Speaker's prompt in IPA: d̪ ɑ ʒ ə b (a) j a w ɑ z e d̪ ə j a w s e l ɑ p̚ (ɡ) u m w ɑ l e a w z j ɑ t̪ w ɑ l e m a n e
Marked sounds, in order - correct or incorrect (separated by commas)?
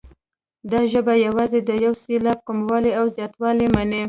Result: correct, incorrect